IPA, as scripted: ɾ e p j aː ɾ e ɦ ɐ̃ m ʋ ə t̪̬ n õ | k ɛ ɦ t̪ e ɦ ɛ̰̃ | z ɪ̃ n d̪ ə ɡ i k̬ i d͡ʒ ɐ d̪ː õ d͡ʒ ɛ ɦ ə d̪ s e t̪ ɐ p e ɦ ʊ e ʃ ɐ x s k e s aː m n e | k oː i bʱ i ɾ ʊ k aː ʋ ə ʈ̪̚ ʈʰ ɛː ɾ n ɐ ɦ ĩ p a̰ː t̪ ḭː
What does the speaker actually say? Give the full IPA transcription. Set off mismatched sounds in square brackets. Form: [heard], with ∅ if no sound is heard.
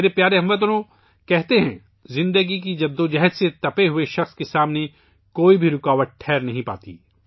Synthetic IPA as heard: ɾ e p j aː ɾ e ɦ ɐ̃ m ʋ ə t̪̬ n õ | k ɛ ɦ t̪ e ɦ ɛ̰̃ | z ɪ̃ n d̪ ə ɡ i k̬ i d͡ʒ ɐ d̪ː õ d͡ʒ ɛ ɦ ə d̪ s e t̪ ɐ p e ɦ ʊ e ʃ ɐ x s k e s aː m n e | k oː i bʱ i ɾ ʊ k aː ʋ ə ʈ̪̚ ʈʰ ɛː ɾ n ɐ ɦ ĩ p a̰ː t̪ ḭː